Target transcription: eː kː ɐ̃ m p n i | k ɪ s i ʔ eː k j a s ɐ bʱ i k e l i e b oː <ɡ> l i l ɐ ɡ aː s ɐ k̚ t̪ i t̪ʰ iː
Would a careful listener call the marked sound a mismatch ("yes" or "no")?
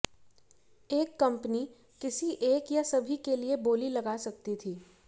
yes